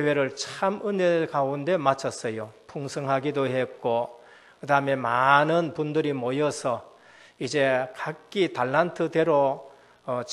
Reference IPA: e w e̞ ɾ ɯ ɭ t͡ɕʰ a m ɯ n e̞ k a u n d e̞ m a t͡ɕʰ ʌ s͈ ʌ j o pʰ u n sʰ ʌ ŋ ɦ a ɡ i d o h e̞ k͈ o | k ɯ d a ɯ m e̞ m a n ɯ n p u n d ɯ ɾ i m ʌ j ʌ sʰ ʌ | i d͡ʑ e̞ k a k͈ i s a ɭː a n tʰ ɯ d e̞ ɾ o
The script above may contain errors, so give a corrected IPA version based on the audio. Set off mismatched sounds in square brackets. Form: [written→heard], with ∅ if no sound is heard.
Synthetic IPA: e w e̞ ɾ ɯ ɭ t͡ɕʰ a m ɯ n e̞ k a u n d e̞ m a t͡ɕʰ ʌ s͈ ʌ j o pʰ u [n→ŋ] sʰ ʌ ŋ ɦ a ɡ i d o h e̞ k͈ o | k ɯ d a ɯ m e̞ m a n ɯ n p u n d ɯ ɾ i m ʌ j ʌ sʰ ʌ | i d͡ʑ e̞ k a k͈ i [s→t] a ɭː a n tʰ ɯ d e̞ ɾ o